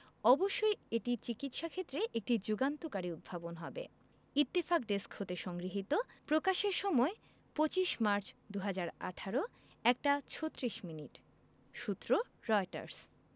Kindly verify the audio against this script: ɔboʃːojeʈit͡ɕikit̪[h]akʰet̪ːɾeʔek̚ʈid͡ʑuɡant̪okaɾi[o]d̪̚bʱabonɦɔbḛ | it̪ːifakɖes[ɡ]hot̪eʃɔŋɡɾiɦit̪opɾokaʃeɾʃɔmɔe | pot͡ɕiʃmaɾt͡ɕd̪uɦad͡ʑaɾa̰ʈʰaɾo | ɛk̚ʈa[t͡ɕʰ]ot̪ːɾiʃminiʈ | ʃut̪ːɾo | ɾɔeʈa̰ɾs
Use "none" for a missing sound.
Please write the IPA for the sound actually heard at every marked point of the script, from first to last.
ʃ, u, k, t͡ɕʰ

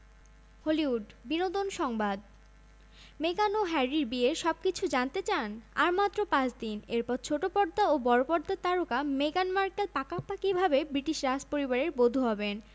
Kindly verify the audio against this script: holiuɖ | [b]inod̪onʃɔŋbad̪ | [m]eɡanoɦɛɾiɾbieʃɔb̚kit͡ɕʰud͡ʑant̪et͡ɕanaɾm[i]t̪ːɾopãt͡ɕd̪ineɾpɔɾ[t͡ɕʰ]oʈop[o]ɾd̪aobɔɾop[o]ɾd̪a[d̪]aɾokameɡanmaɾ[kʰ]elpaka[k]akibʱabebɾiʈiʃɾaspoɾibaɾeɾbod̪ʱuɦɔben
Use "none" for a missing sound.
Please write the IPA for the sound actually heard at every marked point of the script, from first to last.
b, m, a, t͡ɕʰ, ɔ, ɔ, t̪, k, p

